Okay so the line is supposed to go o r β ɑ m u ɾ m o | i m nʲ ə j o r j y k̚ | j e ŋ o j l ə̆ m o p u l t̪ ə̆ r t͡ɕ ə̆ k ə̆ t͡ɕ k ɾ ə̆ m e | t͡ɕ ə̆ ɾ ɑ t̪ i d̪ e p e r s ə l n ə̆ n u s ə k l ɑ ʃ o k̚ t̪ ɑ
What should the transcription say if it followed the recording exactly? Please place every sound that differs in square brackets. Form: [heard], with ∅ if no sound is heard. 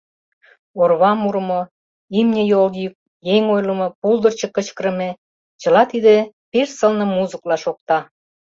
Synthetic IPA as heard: o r β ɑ m u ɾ m o | i m nʲ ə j o [l] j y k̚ | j e ŋ o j l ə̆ m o p u l [d̪] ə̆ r t͡ɕ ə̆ k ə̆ t͡ɕ k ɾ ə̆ m e | t͡ɕ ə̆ [l] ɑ t̪ i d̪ e p e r s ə l n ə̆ [m] u [z] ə k l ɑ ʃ o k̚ t̪ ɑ